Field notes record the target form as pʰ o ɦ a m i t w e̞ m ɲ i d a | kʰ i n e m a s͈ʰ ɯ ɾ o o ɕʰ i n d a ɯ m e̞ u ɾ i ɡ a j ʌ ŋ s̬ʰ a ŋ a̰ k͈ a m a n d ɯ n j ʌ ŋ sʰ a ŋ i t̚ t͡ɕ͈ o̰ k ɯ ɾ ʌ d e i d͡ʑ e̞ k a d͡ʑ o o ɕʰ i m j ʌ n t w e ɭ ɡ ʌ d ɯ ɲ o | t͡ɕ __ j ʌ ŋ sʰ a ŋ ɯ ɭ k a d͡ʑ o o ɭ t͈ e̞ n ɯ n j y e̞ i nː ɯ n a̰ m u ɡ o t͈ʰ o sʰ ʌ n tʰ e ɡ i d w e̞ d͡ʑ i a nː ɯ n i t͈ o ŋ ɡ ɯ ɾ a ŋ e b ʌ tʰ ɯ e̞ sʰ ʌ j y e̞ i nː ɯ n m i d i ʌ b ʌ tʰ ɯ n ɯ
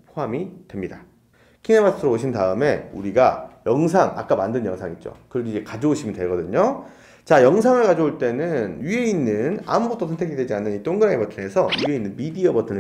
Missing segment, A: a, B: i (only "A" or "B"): A